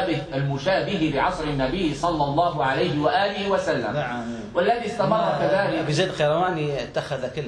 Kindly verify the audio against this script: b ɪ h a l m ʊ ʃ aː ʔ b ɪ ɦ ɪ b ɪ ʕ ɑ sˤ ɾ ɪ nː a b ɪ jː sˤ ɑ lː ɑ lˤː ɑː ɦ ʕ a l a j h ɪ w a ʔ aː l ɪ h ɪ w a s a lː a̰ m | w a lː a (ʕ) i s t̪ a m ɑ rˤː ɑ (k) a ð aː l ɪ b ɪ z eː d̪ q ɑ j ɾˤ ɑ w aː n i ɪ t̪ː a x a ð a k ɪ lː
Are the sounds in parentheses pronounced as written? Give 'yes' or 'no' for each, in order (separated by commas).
no, yes